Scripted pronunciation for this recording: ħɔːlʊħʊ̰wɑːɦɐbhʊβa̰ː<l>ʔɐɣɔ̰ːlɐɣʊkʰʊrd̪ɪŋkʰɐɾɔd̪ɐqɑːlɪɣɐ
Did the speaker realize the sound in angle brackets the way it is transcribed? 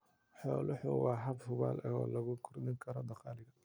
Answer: yes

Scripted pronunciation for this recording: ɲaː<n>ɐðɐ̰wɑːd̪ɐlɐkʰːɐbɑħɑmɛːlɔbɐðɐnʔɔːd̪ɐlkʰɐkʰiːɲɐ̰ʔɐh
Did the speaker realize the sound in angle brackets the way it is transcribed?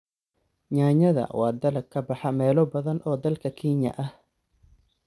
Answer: no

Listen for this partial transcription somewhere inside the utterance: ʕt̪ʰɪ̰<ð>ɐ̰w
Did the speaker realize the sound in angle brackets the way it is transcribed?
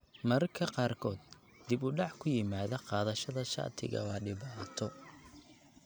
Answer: no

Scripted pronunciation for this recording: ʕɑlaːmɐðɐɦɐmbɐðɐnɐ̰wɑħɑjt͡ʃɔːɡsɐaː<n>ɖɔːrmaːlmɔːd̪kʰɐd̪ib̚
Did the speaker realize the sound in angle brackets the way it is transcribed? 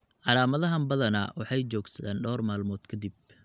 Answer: yes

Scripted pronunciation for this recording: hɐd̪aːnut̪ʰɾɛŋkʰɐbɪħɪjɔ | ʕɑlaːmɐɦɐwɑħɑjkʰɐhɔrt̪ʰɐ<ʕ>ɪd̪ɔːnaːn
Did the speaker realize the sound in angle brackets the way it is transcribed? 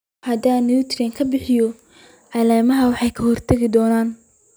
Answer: no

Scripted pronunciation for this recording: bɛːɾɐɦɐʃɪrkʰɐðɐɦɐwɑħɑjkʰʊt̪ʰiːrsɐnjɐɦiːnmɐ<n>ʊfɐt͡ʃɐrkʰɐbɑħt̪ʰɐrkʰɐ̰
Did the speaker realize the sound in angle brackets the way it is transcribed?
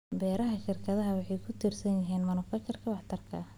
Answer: yes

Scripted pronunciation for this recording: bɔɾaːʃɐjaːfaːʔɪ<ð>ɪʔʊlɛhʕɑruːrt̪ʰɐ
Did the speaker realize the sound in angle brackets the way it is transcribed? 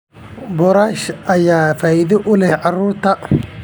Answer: yes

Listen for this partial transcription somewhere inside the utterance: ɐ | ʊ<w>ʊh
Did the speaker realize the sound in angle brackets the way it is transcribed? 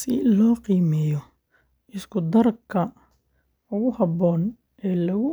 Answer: no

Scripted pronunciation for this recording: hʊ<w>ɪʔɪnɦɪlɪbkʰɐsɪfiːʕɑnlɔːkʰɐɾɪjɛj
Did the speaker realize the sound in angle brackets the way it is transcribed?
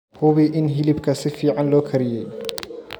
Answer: no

